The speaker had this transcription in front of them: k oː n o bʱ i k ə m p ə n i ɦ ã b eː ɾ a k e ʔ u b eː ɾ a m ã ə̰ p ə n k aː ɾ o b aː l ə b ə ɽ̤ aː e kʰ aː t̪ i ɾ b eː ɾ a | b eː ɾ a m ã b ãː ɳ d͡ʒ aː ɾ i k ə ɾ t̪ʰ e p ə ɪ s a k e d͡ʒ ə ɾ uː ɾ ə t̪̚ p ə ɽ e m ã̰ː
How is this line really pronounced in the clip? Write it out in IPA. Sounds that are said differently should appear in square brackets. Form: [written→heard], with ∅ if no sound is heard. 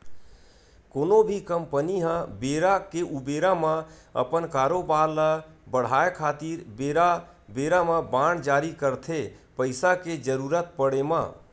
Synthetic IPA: k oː n o bʱ i k ə m p ə n i ɦ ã b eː ɾ a k e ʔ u b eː ɾ a m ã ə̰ p ə n k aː ɾ o b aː l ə b ə ɽ̤ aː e kʰ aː t̪ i ɾ b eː ɾ a | b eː ɾ a m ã b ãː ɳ d͡ʒ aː ɾ i k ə ɾ t̪ʰ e p ə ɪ s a k e d͡ʒ ə ɾ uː ɾ ə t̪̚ p ə ɽ e m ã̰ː